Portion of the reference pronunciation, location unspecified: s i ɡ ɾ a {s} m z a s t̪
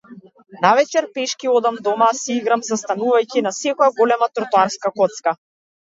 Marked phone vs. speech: incorrect: none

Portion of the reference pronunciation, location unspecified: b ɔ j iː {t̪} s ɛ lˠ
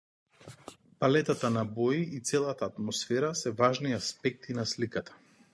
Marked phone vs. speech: correct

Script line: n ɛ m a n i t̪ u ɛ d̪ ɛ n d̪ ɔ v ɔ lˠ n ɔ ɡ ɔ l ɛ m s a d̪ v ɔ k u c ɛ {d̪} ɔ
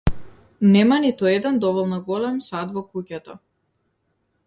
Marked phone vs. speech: incorrect: t̪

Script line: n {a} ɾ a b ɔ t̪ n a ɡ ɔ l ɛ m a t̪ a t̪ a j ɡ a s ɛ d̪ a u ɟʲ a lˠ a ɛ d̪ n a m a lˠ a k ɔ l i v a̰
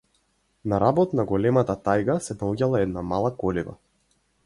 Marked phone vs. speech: correct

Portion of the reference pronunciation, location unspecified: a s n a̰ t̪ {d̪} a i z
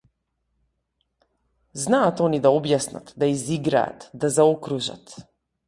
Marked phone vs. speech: correct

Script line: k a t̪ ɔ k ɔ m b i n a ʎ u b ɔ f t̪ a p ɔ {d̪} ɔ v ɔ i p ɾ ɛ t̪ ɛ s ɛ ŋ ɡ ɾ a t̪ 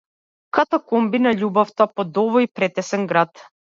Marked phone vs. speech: correct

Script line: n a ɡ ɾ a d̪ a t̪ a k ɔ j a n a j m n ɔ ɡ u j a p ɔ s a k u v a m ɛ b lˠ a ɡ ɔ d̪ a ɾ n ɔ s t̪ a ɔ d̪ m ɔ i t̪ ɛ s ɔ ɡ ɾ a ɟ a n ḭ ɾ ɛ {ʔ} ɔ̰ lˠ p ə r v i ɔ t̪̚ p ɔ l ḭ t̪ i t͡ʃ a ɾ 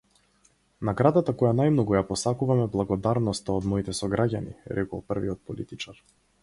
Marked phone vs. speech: incorrect: k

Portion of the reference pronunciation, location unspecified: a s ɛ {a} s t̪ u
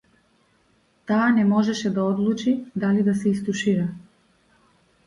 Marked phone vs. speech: incorrect: i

